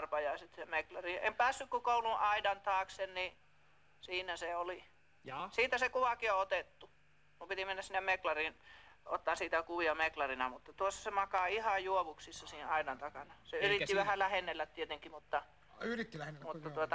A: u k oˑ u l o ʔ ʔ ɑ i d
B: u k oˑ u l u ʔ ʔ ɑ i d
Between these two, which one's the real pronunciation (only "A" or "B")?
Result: B